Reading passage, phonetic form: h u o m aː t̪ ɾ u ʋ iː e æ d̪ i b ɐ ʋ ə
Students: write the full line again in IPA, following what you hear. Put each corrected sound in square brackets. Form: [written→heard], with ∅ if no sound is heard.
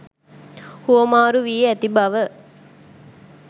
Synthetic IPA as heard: h u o m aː [t̪→∅] ɾ u ʋ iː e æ [d̪→t̪] i b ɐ ʋ ə